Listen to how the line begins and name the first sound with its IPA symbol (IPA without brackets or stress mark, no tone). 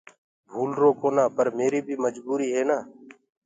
bʱ